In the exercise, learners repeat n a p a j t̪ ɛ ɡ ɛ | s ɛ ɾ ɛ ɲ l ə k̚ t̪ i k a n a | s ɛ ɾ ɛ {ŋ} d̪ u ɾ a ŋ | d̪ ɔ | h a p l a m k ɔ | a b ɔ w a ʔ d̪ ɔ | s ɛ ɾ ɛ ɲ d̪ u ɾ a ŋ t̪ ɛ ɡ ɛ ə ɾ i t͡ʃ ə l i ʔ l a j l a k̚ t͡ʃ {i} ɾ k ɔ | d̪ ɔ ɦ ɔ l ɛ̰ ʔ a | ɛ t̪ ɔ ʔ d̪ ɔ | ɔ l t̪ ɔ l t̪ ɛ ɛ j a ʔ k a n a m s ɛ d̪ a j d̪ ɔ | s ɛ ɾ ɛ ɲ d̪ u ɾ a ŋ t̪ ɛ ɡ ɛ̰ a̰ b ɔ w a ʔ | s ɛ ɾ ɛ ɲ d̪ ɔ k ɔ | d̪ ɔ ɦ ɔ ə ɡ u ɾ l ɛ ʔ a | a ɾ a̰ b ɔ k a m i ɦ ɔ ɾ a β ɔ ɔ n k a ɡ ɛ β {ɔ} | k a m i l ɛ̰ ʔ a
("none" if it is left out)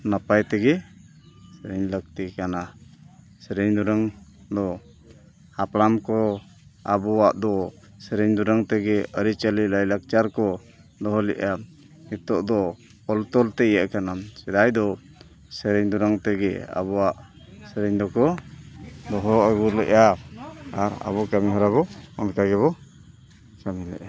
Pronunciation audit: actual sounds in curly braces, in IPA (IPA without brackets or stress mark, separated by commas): ɲ, a, ɔ